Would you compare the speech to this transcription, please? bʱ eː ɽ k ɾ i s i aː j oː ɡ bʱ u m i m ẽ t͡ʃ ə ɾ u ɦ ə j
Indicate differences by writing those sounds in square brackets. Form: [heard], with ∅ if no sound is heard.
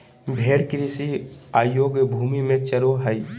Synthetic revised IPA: bʱ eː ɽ k ɾ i s i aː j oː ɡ bʱ u m i m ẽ t͡ʃ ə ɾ [o] ɦ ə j